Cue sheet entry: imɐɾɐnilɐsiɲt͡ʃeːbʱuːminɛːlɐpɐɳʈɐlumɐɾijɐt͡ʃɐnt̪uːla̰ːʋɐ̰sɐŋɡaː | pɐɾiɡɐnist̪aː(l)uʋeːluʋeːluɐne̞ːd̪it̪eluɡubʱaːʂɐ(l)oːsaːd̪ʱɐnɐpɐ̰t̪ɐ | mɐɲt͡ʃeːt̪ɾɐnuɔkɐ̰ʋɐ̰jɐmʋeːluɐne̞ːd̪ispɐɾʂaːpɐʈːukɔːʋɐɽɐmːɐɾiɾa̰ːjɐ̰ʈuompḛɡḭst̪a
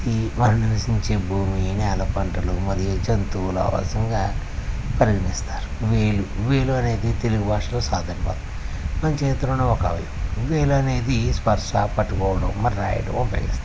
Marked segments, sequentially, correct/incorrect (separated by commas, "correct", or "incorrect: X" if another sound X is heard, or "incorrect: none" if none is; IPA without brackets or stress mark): incorrect: ɾ, correct